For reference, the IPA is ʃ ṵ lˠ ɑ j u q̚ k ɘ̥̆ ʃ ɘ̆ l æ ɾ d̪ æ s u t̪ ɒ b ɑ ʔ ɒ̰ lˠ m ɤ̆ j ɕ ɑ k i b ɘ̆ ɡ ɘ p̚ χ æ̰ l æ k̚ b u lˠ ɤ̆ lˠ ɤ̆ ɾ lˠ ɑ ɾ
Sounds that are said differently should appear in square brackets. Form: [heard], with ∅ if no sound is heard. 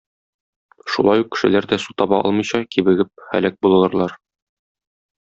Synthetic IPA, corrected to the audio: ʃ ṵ lˠ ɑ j u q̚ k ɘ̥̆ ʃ ɘ̆ l æ ɾ d̪ æ s u t̪ ɒ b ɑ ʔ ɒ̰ lˠ m ɤ̆ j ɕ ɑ k i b ɘ̆ ɡ ɘ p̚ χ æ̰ l æ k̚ b u lˠ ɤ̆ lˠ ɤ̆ ɾ lˠ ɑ ɾ